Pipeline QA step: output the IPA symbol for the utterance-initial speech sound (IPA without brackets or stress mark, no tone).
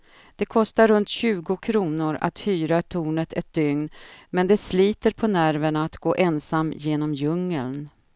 d̪̥